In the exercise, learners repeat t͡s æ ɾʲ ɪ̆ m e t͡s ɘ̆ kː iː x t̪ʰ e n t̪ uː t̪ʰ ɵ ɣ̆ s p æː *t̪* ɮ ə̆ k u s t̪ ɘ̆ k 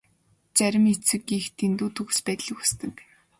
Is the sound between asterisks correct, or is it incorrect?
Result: correct